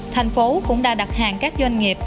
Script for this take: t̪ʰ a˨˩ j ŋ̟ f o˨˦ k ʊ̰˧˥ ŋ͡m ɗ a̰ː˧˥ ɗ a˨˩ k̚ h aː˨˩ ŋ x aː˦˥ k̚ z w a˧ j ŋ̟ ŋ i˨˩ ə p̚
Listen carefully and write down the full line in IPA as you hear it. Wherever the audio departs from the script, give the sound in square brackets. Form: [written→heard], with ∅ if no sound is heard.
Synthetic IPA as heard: t̪ʰ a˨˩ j ŋ̟ f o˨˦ k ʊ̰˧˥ ŋ͡m ɗ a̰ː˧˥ ɗ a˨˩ [k̚→t̚] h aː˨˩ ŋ [x→k] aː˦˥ k̚ z w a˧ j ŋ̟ ŋ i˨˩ ə p̚